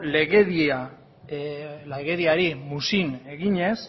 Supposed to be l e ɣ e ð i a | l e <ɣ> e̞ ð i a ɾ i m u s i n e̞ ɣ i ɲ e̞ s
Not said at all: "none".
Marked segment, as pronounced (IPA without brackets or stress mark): ɣ